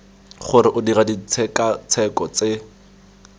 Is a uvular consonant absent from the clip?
no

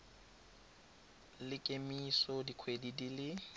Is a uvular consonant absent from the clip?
yes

